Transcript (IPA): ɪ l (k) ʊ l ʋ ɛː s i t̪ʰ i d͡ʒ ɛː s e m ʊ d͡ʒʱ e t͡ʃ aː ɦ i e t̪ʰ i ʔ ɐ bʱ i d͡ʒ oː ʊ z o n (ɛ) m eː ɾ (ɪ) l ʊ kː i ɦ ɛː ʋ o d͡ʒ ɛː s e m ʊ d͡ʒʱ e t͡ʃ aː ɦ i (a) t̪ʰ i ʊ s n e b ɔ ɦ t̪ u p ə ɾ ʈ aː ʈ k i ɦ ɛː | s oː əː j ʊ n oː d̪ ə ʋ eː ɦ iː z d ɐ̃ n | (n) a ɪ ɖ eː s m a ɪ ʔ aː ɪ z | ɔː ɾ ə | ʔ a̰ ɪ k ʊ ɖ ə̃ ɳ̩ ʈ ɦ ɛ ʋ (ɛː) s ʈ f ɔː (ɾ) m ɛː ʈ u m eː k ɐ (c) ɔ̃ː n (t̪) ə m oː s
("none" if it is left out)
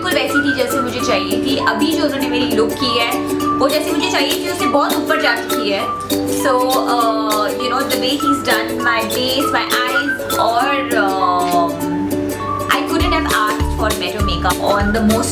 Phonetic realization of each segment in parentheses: k, e, i, e, m, aː, ɾ, p, d̪

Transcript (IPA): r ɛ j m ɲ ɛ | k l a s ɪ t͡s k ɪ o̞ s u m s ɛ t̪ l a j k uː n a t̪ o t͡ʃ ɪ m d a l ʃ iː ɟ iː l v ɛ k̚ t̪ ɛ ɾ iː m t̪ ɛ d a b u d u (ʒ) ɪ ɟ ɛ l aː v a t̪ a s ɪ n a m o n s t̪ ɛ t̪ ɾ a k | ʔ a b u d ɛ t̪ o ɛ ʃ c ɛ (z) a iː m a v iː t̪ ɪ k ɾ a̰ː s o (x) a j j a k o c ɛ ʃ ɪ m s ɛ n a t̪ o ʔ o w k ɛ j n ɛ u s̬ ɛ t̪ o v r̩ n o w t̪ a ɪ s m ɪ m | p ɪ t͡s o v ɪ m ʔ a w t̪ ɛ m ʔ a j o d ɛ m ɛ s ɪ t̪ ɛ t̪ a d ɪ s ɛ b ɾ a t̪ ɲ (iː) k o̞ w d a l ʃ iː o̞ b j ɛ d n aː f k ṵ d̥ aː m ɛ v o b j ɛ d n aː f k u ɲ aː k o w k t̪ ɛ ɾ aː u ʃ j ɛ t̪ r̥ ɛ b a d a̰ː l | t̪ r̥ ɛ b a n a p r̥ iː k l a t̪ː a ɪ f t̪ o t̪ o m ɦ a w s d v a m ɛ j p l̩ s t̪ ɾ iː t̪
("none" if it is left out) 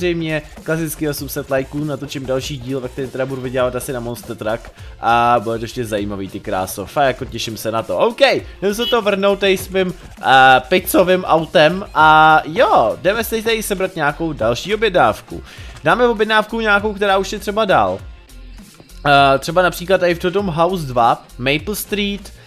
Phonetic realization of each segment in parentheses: v, z, f, aː

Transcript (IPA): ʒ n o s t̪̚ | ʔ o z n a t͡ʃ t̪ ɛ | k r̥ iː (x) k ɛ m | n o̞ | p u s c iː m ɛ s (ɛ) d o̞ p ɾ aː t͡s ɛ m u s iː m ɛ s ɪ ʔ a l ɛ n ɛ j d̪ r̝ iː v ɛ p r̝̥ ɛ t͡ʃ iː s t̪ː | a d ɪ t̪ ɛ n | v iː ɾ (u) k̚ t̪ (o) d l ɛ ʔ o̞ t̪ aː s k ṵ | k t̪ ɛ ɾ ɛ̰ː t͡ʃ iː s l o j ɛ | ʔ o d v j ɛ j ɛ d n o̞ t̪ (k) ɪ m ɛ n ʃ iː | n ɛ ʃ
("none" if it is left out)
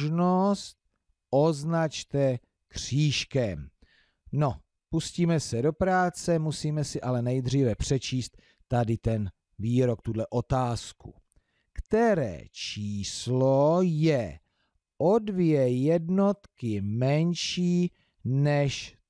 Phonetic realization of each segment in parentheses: ʃ, ɛ, o, u, k

